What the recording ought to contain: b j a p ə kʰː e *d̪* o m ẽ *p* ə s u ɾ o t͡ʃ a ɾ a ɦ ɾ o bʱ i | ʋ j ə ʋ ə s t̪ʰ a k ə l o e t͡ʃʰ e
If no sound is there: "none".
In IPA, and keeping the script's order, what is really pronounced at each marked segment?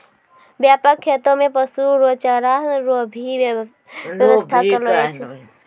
t̪, p

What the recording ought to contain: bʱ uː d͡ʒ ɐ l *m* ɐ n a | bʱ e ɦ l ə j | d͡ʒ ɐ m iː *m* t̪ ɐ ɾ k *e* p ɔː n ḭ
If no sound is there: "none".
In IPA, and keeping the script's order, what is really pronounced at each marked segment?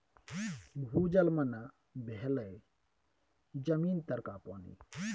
m, n, a

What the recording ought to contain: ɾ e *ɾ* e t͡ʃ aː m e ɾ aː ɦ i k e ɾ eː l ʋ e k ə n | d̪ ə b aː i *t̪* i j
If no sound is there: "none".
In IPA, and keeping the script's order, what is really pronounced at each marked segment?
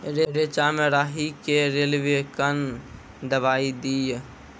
ɾ, d̪

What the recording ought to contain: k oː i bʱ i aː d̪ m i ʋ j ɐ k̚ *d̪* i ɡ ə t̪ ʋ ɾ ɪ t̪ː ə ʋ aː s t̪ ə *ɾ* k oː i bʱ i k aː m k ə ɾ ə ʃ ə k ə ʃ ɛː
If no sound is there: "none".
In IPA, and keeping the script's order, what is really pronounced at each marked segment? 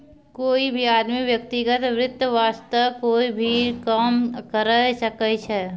t̪, none

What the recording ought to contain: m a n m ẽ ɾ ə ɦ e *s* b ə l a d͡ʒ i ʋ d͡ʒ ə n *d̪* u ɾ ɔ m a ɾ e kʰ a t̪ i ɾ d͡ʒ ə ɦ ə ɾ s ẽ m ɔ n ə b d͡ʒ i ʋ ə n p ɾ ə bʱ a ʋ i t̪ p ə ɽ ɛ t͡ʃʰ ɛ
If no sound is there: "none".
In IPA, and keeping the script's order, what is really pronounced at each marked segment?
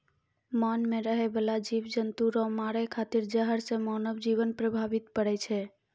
none, t̪

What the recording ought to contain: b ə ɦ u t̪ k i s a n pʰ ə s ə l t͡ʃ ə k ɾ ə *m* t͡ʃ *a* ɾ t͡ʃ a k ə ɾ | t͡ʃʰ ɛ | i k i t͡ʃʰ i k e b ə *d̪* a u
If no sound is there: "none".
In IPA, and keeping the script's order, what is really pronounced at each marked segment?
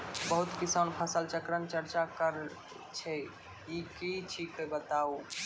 n, ə, t̪

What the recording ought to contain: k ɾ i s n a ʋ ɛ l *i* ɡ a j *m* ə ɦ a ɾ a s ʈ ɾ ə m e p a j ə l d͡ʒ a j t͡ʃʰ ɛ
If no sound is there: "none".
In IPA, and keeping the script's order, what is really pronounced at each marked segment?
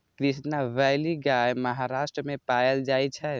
i, m

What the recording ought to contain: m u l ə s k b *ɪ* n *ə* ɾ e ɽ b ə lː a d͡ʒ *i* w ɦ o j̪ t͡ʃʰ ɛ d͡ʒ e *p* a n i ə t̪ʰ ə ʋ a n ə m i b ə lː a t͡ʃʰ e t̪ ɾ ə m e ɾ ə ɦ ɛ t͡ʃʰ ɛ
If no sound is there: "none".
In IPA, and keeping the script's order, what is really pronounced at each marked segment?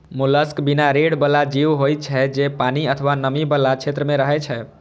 i, a, i, p

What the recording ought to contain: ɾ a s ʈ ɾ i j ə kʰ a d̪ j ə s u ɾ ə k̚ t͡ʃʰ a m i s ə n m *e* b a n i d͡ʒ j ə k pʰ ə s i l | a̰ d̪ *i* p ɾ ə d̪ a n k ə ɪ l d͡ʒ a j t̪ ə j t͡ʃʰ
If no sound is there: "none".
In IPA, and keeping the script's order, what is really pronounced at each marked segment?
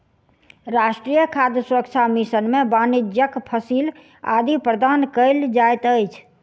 e, i

